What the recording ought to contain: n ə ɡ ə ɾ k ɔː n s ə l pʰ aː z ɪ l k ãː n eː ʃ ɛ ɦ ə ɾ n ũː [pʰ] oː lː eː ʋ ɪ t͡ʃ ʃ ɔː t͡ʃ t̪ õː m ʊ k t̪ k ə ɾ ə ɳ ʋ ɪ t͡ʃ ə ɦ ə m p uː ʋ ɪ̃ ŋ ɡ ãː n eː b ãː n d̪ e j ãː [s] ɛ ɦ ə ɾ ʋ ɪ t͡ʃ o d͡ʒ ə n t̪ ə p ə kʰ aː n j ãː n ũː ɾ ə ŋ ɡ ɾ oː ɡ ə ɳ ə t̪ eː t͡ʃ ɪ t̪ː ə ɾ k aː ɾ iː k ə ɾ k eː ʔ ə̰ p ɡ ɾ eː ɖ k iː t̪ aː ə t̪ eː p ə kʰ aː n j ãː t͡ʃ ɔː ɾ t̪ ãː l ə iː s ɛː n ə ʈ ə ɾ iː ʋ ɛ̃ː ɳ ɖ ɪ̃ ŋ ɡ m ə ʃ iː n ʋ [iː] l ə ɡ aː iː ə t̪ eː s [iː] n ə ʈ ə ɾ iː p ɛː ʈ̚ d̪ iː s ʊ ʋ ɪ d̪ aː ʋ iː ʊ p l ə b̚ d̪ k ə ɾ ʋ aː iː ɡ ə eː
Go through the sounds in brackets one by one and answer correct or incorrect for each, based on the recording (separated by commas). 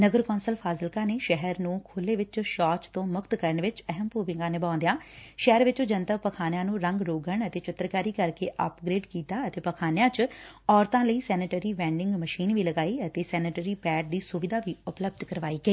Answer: incorrect, incorrect, correct, incorrect